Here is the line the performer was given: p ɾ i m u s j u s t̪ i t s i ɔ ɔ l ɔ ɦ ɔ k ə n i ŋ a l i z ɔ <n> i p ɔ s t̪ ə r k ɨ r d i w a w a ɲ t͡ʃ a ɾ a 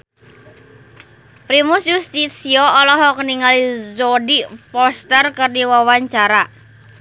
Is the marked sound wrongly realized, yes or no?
yes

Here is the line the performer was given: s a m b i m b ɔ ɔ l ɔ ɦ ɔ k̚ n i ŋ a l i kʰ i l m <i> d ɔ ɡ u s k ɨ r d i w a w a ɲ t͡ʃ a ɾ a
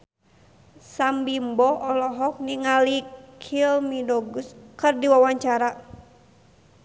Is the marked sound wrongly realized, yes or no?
no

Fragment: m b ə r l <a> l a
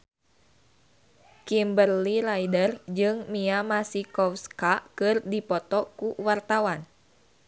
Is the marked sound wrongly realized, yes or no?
yes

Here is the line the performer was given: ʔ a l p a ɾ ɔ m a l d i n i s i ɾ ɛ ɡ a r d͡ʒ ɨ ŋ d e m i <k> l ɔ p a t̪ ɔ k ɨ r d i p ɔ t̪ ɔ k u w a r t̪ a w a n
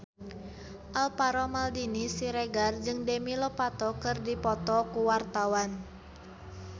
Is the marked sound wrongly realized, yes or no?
yes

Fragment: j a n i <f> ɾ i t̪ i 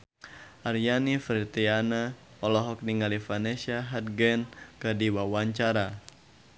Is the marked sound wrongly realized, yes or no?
no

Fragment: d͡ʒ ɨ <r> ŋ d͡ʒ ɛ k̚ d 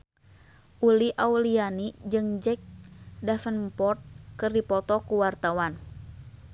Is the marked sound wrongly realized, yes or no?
yes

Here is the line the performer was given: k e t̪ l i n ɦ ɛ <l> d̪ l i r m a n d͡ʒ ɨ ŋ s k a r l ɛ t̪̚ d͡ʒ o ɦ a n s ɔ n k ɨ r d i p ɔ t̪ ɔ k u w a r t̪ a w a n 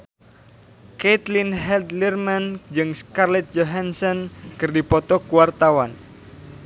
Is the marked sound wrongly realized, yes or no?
no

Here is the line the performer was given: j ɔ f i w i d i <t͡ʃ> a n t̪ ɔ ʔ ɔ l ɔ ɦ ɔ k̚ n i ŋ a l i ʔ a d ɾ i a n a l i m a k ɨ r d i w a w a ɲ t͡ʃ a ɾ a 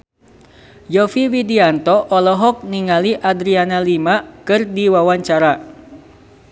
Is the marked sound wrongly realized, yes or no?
yes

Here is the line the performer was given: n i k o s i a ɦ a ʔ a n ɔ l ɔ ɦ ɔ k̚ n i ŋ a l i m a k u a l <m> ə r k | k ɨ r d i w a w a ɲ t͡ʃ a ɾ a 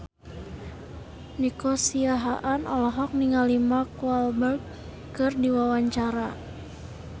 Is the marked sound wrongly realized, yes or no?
yes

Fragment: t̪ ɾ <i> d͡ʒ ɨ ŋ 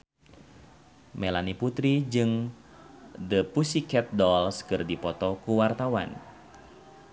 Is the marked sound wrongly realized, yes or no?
no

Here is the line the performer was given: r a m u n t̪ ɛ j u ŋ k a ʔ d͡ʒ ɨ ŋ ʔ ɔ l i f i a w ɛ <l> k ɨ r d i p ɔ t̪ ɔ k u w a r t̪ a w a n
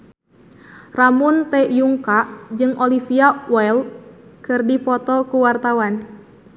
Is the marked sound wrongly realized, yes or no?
no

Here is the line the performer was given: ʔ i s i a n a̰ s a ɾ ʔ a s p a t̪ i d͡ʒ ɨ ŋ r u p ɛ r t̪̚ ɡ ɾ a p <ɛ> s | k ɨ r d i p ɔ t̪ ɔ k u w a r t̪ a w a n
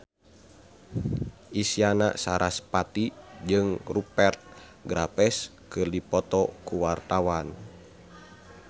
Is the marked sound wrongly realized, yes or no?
no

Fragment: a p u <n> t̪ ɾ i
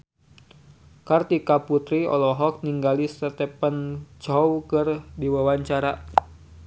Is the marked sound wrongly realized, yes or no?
yes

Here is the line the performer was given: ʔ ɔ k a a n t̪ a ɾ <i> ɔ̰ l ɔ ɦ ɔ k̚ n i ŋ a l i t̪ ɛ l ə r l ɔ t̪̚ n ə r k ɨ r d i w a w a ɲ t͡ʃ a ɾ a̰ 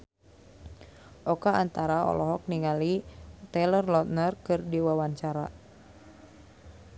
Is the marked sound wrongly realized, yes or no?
yes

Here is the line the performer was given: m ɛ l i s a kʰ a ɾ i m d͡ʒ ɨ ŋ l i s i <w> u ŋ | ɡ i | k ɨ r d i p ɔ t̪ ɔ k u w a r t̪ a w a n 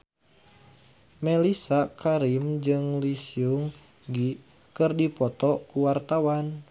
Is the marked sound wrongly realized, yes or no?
yes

